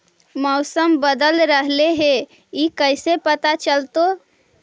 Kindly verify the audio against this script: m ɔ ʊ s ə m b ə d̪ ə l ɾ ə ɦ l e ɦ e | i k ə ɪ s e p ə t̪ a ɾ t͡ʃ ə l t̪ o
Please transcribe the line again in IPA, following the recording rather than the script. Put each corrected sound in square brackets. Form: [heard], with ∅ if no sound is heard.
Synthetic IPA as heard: m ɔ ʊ s ə m b ə d̪ ə l ɾ ə ɦ l e ɦ e | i k ə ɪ s e p ə t̪ a [∅] t͡ʃ ə l t̪ o